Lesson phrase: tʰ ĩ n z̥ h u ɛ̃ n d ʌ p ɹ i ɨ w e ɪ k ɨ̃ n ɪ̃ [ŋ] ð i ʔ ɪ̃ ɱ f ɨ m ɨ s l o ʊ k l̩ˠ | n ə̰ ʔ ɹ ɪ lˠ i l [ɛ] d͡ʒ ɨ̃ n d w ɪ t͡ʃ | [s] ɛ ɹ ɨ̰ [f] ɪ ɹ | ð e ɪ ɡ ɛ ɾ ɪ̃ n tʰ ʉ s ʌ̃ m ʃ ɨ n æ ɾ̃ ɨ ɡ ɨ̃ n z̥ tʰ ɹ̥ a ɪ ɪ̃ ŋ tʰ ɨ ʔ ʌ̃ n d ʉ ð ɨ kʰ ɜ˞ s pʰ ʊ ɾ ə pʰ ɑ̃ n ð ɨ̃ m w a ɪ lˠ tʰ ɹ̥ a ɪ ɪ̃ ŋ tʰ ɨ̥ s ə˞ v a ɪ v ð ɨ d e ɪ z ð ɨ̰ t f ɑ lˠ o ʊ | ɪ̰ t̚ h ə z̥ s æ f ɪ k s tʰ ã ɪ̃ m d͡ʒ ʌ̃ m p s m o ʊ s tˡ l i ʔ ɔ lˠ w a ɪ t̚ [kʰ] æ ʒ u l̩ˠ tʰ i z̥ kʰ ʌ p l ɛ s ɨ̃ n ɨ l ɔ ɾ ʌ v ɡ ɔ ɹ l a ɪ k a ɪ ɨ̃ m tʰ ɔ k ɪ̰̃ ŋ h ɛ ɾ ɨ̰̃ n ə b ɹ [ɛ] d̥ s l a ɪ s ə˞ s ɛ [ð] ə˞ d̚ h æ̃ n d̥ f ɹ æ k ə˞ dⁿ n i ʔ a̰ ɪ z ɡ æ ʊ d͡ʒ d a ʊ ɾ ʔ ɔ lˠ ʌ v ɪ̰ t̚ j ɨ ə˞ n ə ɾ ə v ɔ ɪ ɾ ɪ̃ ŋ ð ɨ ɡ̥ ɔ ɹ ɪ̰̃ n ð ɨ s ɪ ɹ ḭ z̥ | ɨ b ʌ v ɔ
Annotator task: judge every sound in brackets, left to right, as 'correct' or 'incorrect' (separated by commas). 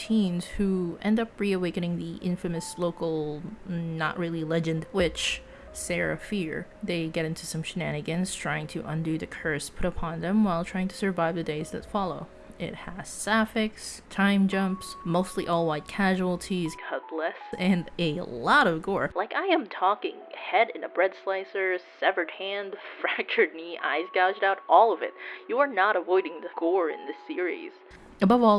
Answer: correct, correct, correct, correct, correct, correct, incorrect